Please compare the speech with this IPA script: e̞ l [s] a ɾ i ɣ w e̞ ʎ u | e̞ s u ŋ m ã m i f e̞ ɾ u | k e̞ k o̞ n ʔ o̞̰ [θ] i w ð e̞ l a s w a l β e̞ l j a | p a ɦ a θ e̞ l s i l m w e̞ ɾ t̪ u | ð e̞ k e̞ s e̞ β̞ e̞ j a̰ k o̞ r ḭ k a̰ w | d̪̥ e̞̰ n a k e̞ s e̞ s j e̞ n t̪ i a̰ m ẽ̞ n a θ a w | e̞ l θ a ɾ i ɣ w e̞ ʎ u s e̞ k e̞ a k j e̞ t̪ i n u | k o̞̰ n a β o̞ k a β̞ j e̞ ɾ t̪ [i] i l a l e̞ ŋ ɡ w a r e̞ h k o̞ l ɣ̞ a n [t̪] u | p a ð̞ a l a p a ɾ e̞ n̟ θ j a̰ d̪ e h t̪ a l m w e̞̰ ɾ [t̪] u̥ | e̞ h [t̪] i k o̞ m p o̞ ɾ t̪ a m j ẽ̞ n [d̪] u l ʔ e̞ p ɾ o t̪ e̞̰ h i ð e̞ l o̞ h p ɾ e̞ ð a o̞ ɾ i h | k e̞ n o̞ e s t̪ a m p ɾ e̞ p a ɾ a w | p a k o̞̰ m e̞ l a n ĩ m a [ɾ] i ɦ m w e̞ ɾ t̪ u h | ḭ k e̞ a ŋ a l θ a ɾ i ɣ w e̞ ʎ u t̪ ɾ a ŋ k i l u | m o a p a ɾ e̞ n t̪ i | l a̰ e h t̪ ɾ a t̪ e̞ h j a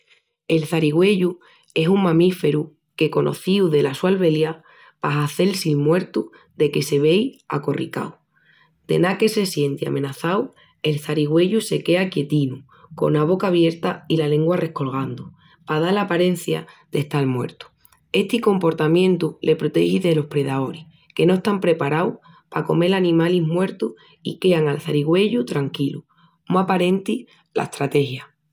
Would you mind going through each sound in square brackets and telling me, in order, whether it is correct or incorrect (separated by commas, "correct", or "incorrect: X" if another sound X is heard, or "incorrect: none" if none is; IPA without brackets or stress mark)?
incorrect: θ, correct, incorrect: a, incorrect: d̪, correct, correct, incorrect: t̪, incorrect: l